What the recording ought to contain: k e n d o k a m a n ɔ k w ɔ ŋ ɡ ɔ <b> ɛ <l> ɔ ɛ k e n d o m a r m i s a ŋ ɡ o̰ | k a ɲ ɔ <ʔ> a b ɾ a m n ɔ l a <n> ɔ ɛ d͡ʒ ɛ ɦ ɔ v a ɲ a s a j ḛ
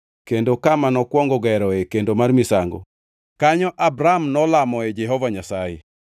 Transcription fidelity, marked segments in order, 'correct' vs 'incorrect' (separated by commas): incorrect, incorrect, correct, incorrect